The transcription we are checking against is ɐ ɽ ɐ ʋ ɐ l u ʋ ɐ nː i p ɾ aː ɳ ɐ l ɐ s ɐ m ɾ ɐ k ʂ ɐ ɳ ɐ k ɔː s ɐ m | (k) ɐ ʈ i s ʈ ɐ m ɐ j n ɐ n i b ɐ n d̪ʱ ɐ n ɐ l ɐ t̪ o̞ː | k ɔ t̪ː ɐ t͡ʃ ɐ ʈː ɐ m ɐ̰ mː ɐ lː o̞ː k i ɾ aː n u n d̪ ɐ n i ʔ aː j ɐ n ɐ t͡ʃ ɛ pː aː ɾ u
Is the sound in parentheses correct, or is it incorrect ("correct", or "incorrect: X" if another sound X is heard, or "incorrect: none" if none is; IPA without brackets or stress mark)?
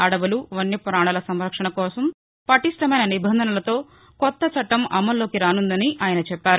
incorrect: p